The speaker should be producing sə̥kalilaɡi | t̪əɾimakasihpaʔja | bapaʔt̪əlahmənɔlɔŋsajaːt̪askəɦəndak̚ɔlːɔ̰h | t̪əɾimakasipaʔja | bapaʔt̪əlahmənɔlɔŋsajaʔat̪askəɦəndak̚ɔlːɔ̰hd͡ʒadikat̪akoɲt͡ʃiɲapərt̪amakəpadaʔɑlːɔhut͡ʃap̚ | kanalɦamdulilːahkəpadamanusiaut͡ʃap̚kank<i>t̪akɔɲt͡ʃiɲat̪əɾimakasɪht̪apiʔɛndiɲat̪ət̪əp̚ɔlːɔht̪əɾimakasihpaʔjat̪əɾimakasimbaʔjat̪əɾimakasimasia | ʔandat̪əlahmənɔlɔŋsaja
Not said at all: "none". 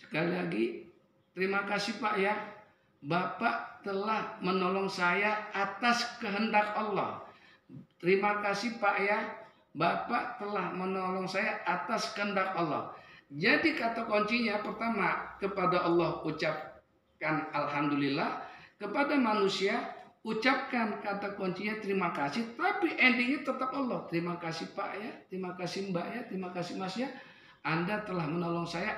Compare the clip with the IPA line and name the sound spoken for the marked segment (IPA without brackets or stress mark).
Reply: a